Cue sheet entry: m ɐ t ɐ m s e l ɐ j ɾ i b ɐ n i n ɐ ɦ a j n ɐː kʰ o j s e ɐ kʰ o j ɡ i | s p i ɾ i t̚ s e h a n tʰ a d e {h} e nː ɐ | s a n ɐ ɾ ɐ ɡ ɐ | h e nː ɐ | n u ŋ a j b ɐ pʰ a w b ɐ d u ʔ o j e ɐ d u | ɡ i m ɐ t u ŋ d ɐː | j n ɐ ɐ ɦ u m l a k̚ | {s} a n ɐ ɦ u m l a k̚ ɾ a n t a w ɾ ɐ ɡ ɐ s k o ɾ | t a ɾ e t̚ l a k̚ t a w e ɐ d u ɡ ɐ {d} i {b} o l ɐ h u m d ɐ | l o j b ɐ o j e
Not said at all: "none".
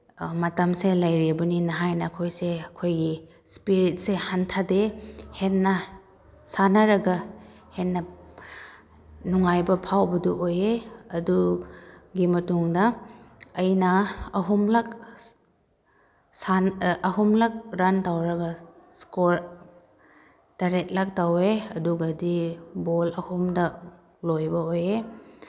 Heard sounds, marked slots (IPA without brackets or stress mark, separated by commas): h, s, d, b